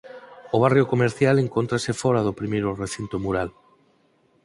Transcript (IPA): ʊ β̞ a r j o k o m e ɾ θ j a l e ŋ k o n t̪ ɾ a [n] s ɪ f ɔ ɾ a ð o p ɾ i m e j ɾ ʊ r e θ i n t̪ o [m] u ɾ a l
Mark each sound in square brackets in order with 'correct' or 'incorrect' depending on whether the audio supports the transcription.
incorrect, correct

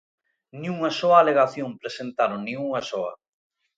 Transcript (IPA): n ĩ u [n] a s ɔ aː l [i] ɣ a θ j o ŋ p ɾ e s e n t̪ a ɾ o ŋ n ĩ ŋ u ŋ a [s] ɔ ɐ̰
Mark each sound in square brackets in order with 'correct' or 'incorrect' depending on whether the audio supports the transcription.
incorrect, incorrect, correct

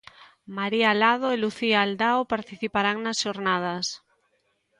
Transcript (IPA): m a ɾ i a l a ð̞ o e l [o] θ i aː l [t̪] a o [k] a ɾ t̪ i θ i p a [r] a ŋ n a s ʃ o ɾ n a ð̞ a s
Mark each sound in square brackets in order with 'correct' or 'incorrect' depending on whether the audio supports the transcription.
incorrect, incorrect, incorrect, incorrect

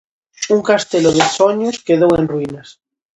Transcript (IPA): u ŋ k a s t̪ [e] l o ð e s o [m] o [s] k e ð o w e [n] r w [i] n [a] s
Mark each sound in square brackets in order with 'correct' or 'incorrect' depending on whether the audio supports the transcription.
correct, incorrect, correct, correct, correct, correct

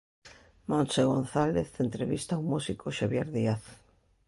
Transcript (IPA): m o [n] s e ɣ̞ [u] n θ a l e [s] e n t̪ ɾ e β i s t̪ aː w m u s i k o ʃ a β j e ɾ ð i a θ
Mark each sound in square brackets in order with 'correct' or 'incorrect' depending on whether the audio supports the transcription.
correct, incorrect, incorrect

